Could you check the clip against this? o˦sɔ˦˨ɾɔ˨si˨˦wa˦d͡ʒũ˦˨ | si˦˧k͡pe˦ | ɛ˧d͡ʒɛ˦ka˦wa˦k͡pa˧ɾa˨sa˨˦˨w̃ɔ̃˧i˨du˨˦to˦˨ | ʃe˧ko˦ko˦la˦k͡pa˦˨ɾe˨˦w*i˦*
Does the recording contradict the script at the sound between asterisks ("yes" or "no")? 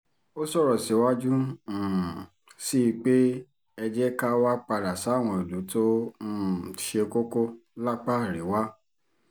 yes